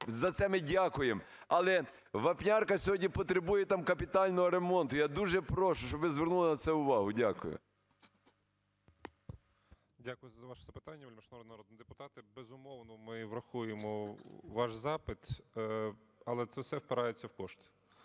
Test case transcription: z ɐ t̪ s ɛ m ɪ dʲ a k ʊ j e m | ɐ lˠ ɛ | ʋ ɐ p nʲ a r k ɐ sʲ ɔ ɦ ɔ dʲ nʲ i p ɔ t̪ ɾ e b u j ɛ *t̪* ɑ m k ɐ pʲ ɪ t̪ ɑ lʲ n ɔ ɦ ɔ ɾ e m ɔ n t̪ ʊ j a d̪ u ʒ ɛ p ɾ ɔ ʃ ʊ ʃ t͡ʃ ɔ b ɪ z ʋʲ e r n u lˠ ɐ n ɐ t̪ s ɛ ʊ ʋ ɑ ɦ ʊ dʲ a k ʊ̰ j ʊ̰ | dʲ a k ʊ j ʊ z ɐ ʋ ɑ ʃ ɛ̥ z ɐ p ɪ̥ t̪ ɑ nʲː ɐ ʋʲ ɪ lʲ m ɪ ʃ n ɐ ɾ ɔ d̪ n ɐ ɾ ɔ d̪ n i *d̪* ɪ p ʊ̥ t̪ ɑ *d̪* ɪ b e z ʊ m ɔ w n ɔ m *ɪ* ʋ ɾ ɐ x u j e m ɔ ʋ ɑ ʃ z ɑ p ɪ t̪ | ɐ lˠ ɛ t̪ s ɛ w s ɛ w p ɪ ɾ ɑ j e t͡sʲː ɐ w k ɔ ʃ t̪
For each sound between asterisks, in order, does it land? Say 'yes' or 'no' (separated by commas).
yes, yes, no, yes